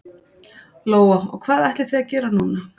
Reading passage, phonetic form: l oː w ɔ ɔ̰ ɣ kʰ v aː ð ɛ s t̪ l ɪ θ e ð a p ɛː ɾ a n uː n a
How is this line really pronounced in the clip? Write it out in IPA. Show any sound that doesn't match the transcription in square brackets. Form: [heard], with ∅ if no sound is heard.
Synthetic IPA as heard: l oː w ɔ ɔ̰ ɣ kʰ v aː ð ɛ [h] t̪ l ɪ θ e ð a [c] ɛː ɾ a n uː n a